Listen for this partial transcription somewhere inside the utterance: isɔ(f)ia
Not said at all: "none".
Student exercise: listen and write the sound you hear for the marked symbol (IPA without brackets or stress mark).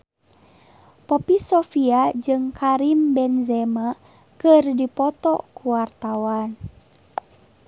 f